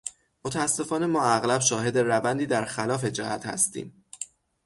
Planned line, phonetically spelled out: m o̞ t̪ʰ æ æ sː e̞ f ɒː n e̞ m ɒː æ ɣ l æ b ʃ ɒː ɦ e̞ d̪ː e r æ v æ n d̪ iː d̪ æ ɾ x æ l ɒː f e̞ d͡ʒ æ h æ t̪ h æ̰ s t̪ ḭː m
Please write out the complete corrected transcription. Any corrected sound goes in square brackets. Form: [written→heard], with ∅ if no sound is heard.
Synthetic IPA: m o̞ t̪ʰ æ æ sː e̞ f ɒː n e̞ m ɒː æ ɣ l æ b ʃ ɒː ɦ e̞ [d̪ː→d̪] e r æ v æ n d̪ iː d̪ æ ɾ x æ l ɒː f e̞ d͡ʒ æ h æ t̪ h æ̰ s t̪ ḭː m